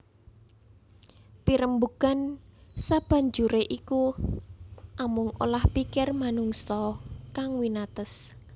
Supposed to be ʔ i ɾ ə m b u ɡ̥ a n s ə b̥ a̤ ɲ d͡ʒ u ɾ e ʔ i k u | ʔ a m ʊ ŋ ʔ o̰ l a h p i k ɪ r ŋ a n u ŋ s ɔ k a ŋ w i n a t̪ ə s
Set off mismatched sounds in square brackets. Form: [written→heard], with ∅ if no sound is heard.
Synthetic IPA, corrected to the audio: [ʔ→p] i ɾ ə m b u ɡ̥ a n s [ə→a] b̥ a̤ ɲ d͡ʒ u ɾ e ʔ i k u | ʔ a m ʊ ŋ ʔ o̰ l a h p i k ɪ r [ŋ→m] a n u ŋ s ɔ k a ŋ w i n a t̪ ə s